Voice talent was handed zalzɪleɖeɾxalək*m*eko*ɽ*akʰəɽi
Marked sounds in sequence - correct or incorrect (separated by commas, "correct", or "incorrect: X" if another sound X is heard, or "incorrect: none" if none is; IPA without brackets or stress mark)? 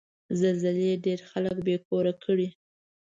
incorrect: b, incorrect: ɾ